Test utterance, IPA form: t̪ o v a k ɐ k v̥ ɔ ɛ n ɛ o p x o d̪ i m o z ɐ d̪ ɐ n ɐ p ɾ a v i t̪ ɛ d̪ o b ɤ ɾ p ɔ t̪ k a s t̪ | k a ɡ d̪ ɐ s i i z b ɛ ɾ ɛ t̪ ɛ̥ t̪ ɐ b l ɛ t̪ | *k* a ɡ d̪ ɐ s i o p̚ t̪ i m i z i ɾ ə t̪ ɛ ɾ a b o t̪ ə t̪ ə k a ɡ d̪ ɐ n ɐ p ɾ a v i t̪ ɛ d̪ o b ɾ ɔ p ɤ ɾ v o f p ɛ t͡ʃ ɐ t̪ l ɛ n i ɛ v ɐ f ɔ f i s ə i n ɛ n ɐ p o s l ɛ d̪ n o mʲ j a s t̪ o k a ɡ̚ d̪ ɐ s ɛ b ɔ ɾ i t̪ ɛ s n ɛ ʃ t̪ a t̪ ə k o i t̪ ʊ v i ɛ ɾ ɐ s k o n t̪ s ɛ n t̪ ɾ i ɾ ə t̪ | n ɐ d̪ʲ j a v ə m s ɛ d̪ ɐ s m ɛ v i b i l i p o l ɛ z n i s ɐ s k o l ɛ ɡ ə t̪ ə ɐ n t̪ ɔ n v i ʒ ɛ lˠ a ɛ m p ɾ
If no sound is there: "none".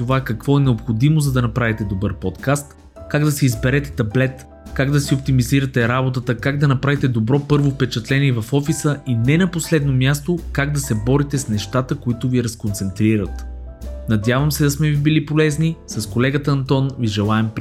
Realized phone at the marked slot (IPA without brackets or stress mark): k